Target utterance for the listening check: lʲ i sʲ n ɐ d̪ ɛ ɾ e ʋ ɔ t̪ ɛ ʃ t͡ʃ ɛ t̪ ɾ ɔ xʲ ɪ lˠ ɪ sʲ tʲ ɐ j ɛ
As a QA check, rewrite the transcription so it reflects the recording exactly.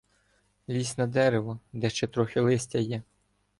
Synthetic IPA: lʲ i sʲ n ɐ d̪ ɛ ɾ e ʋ ɔ d̪ ɛ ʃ t͡ʃ ɛ t̪ ɾ ɔ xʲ ɪ lˠ ɪ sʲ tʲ ɐ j ɛ

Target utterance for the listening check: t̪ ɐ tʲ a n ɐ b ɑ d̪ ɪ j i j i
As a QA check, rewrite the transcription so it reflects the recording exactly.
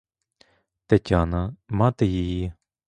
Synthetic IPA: t̪ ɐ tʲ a n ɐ m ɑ t̪ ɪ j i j i

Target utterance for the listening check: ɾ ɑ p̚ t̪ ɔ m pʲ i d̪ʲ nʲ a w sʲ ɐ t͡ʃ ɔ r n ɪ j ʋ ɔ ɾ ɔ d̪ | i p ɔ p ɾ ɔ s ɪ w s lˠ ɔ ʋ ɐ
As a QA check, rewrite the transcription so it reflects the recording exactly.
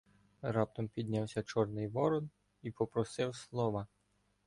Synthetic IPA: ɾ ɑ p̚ t̪ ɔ m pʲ i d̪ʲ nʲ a w sʲ ɐ t͡ʃ ɔ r n ɪ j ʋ ɔ ɾ ɔ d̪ | i p ɔ p ɾ ɔ s ɪ w s lˠ ɔ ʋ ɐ

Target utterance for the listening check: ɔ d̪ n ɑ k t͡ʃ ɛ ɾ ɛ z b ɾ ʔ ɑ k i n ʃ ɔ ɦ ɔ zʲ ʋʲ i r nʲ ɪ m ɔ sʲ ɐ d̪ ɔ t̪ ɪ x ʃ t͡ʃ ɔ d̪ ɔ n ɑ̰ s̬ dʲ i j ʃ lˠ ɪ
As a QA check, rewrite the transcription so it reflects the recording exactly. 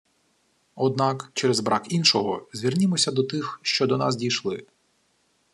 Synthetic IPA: ɔ d̪ n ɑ k t͡ʃ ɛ ɾ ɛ z b ɾ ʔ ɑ k i n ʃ ɔ ɦ ɔ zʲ ʋʲ i r nʲ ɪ m ɔ sʲ ɐ d̪ ɔ t̪ ɪ x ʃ t͡ʃ ɔ d̪ ɔ n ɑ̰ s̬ dʲ i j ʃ lˠ ɪ

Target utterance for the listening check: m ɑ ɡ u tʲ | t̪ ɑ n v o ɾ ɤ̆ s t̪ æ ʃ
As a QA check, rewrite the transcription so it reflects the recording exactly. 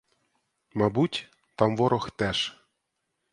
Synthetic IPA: m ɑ b u tʲ | t̪ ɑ m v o ɾ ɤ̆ x t̪ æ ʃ

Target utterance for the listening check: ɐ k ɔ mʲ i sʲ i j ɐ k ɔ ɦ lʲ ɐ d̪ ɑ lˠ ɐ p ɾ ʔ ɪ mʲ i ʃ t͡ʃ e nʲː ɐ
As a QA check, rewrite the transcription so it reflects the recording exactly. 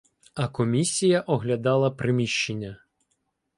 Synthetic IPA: ɐ k ɔ mʲ i sʲ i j ɐ ʔ ɔ ɦ lʲ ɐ d̪ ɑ lˠ ɐ p ɾ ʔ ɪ mʲ i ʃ t͡ʃ e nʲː ɐ

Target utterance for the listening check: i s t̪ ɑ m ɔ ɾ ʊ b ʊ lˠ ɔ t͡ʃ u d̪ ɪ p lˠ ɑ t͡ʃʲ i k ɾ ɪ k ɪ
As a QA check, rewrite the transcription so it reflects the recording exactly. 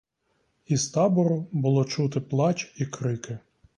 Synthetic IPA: i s t̪ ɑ b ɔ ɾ ʊ b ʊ lˠ ɔ t͡ʃ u t̪ ɪ p lˠ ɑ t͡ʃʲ i k ɾ ɪ k ɪ

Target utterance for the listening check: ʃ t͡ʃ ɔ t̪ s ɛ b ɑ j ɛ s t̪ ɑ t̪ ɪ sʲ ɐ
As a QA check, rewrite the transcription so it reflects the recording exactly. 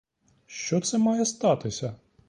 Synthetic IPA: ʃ t͡ʃ ɔ t̪ s ɛ m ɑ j ɛ s t̪ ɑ t̪ ɪ sʲ ɐ

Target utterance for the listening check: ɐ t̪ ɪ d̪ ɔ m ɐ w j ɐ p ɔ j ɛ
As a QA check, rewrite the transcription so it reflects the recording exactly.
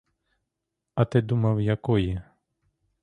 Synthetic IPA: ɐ t̪ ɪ d̪ u m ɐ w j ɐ k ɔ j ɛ

